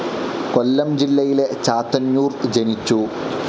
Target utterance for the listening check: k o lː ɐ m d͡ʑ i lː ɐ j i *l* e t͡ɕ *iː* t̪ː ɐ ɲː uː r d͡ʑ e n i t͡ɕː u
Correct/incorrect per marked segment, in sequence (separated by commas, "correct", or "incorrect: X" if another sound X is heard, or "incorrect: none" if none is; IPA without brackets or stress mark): correct, incorrect: aː